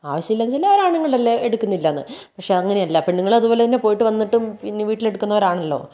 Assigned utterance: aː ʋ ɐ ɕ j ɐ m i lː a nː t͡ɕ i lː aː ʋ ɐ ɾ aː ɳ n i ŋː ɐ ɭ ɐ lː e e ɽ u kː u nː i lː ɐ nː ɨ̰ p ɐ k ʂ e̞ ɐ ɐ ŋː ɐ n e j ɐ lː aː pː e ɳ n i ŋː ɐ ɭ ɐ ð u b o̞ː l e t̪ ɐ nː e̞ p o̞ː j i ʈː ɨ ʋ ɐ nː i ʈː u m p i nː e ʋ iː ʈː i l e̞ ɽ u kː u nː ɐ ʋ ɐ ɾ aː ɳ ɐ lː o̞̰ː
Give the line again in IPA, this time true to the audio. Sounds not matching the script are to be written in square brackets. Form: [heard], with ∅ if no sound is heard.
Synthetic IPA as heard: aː ʋ ɐ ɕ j ɐ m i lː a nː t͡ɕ i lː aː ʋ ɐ ɾ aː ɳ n i ŋː ɐ ɭ ɐ lː e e ɽ u kː u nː i lː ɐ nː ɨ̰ p ɐ k ʂ e̞ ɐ ɐ ŋː ɐ n e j ɐ lː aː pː e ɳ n i ŋː ɐ ɭ ɐ ð u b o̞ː l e t̪ ɐ nː e̞ p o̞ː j i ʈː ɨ ʋ ɐ nː i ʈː u m p i nː e ʋ iː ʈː i l e̞ ɽ u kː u nː ɐ ʋ ɐ ɾ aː ɳ ɐ lː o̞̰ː